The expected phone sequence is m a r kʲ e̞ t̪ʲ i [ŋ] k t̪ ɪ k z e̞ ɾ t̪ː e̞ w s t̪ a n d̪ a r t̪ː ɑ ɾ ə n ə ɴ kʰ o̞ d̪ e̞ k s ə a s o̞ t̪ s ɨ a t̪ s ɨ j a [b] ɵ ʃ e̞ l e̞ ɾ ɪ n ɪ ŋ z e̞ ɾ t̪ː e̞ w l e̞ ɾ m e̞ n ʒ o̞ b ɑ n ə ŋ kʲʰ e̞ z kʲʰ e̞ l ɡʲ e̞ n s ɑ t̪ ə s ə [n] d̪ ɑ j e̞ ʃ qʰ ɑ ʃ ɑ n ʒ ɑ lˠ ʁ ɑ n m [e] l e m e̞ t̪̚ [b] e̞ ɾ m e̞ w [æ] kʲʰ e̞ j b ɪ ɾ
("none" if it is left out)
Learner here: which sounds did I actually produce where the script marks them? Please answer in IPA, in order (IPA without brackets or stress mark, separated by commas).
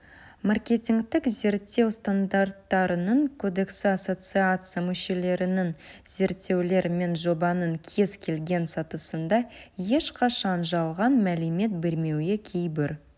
ŋ, m, n, æ, b, e